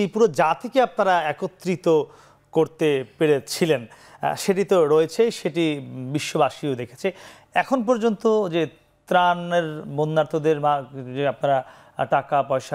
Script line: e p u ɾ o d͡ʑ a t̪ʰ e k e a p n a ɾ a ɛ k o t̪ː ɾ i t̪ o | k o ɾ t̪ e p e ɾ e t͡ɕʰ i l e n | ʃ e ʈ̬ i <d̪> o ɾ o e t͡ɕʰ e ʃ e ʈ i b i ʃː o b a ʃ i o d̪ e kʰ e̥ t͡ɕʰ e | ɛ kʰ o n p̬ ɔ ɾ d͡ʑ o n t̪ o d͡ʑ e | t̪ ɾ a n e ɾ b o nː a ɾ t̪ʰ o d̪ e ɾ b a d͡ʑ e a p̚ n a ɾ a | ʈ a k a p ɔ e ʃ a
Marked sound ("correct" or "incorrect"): incorrect